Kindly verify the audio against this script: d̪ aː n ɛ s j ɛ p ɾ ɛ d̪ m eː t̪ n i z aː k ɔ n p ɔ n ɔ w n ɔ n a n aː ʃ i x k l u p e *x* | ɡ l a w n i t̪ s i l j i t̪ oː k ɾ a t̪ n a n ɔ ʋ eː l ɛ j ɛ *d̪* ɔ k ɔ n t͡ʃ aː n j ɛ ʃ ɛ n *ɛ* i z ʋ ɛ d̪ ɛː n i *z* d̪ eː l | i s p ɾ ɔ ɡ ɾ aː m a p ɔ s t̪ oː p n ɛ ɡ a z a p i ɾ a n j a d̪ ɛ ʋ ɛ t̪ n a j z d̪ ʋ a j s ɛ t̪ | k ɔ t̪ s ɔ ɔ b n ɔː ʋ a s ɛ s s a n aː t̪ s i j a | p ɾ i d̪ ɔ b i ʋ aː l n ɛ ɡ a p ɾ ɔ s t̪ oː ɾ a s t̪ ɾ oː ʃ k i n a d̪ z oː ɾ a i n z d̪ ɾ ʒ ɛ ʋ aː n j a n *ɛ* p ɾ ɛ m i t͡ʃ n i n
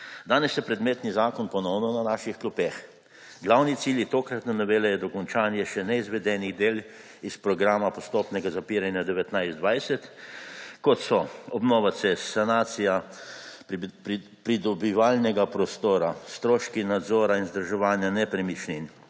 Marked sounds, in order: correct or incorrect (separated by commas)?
correct, correct, correct, incorrect, correct